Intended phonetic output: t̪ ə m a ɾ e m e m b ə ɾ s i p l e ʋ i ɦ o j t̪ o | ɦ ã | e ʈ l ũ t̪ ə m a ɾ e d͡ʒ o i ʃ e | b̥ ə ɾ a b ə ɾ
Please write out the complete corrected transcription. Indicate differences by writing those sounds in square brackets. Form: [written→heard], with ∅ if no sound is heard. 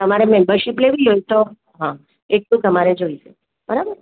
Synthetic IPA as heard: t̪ ə m a ɾ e m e m b ə ɾ [s→ʃ] i p l e ʋ i ɦ o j t̪ o | ɦ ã | e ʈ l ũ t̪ ə m a ɾ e d͡ʒ o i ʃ e | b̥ ə ɾ a b ə ɾ